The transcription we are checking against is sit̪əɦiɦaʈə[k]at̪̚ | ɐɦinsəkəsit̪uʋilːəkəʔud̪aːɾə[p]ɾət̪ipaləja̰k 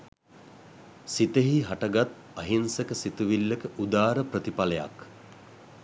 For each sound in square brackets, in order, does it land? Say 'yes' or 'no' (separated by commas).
no, yes